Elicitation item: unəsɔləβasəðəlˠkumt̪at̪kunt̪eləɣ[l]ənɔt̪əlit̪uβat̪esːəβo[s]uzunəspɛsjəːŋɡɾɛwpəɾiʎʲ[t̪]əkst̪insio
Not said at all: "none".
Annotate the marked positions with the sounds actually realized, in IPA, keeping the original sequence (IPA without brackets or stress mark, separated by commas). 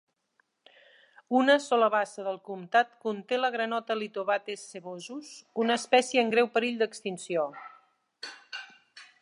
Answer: ɾ, z, d̪